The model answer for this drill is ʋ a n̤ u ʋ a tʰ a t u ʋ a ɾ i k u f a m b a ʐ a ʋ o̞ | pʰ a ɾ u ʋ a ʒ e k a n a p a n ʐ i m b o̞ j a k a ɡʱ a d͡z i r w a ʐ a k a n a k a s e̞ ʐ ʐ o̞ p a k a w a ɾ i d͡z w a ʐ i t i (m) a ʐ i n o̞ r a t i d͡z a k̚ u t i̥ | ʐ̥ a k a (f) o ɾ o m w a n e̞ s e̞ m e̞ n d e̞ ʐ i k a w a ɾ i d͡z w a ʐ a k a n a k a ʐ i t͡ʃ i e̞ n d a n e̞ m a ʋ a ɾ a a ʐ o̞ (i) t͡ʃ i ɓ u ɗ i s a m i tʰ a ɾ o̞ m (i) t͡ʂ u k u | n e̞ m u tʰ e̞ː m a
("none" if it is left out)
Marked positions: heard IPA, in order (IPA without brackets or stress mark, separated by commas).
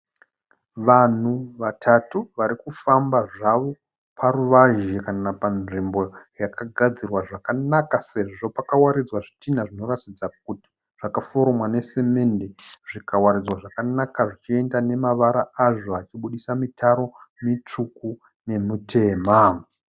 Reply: n, f, a, i